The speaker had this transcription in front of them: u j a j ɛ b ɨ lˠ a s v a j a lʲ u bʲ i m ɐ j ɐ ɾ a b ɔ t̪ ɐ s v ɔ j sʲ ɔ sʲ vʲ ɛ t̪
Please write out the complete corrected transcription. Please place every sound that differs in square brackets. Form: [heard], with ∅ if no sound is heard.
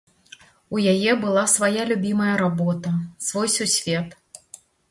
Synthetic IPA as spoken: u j a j ɛ b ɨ lˠ a s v a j a lʲ u bʲ i m ɐ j ɐ ɾ a b ɔ t̪ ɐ s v ɔ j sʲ [u] sʲ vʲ ɛ t̪